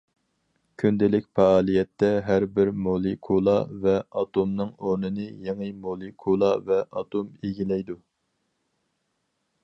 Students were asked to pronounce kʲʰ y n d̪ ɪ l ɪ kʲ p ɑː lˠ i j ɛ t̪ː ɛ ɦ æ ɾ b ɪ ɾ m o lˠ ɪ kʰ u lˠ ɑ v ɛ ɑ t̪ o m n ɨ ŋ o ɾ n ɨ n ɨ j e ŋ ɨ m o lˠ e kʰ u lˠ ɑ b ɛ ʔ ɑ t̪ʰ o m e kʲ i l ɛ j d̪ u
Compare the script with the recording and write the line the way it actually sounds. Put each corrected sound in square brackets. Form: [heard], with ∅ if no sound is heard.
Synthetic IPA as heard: kʲʰ y n d̪ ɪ l ɪ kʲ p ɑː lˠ i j ɛ t̪ː ɛ ɦ æ ɾ b ɪ ɾ m o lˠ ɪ kʰ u lˠ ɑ v ɛ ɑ t̪ o m n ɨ ŋ o ɾ n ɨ n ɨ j e ŋ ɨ m o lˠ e kʰ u lˠ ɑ [v] ɛ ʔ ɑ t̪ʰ o m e [ɡʲ] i l ɛ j d̪ u